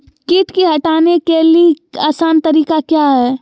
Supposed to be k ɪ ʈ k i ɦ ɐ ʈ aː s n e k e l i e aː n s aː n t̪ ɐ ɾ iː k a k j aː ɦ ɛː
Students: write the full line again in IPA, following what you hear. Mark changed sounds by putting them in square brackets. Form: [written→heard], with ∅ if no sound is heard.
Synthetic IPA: k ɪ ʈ k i ɦ ɐ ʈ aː [s→∅] n e k e l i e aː [n→∅] s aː n t̪ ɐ ɾ iː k a k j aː ɦ ɛː